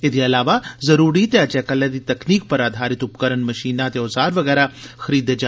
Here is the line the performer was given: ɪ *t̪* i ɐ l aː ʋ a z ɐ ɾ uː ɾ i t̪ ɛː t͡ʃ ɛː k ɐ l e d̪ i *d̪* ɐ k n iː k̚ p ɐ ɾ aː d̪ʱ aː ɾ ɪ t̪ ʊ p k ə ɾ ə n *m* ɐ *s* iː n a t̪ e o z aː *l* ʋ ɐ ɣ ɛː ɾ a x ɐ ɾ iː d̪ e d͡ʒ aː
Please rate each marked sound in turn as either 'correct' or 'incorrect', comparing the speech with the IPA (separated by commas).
incorrect, incorrect, correct, incorrect, incorrect